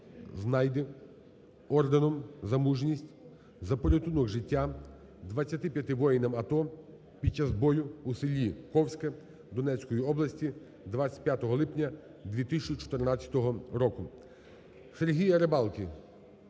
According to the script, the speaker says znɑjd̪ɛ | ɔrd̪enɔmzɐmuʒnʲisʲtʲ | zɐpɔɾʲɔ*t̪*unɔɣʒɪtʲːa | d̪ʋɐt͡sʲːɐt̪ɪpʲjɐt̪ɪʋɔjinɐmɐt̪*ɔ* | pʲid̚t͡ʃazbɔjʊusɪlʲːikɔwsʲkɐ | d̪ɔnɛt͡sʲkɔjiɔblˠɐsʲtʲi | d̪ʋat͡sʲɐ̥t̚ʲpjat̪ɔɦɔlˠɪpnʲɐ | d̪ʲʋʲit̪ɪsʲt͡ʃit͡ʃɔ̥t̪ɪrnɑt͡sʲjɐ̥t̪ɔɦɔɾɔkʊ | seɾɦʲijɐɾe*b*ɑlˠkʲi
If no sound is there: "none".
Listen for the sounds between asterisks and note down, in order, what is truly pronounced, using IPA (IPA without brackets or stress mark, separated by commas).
t̪, ɔ, b